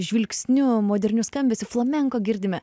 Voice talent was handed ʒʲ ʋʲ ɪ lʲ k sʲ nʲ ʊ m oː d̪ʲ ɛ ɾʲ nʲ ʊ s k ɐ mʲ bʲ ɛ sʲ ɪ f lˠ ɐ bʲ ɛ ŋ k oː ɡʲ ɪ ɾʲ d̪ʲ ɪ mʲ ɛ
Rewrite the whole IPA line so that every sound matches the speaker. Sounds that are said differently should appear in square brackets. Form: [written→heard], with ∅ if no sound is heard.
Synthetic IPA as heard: ʒʲ ʋʲ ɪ lʲ k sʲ nʲ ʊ m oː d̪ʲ ɛ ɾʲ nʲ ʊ s k ɐ mʲ bʲ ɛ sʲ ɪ f lˠ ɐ [bʲ→mʲ] ɛ ŋ k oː ɡʲ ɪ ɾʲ d̪ʲ ɪ mʲ ɛ